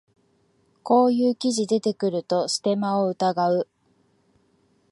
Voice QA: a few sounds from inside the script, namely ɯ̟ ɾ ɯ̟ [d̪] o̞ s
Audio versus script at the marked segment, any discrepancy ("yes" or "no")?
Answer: yes